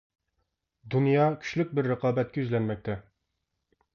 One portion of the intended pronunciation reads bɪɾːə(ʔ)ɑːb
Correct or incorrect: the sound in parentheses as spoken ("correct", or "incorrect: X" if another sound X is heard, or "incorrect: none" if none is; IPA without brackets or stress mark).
incorrect: q